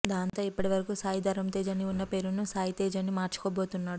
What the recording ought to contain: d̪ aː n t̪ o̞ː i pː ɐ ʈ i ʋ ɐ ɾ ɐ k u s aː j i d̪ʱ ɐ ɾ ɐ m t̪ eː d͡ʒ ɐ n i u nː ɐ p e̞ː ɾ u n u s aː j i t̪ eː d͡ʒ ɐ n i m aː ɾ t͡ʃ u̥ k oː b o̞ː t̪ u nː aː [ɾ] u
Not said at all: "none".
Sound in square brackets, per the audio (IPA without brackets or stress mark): ɽ